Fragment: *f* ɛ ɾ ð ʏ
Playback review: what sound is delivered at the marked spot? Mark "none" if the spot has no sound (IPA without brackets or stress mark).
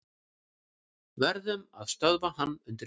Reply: v